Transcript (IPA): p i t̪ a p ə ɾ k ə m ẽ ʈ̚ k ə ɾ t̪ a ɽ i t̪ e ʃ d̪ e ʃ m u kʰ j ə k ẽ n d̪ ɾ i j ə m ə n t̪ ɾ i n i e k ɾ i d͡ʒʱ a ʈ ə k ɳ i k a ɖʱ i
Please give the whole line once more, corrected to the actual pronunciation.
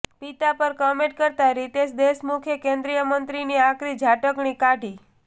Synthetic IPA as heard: p i t̪ a p ə ɾ k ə m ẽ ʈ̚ k ə ɾ t̪ a ɾ i t̪ e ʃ d̪ e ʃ m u kʰ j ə k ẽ n d̪ ɾ i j ə m ə n t̪ ɾ i n i a k ɾ i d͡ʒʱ a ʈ ə k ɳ i k a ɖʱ i